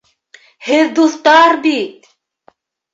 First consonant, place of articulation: glottal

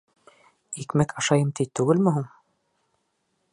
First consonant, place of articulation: velar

